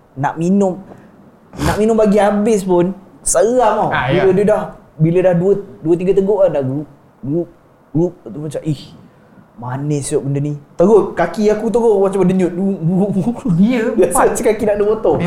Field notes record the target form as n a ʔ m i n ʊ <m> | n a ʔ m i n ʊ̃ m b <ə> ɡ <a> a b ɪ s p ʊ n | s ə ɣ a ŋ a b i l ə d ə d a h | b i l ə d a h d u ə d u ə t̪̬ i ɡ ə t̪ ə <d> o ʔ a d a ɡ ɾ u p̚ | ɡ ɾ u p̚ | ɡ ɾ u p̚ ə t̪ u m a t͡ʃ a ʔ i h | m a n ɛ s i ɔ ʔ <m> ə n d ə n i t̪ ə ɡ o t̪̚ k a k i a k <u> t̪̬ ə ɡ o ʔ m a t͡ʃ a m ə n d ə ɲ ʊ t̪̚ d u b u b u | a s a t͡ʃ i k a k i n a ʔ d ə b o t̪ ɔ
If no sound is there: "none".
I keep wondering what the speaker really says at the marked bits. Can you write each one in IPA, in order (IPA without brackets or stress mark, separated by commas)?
m, a, i, ɡ, b, u